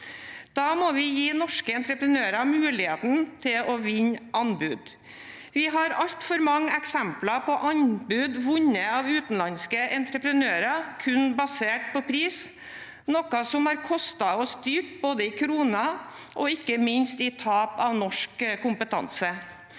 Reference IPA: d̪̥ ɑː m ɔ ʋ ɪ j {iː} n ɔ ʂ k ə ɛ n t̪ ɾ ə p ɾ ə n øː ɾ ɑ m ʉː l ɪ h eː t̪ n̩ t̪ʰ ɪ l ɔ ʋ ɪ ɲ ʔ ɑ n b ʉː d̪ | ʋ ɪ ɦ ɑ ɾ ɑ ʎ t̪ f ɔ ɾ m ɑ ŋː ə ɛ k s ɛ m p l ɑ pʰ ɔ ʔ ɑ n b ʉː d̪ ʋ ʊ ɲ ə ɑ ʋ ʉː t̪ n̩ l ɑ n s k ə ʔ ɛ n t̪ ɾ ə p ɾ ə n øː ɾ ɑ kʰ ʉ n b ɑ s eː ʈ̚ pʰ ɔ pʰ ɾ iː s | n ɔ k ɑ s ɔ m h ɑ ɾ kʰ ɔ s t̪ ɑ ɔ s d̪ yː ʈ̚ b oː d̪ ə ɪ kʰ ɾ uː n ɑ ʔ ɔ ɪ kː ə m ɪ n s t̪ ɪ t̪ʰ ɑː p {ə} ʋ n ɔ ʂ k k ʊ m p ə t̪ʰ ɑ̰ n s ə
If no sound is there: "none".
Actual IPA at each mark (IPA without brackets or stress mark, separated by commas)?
iː, ɑ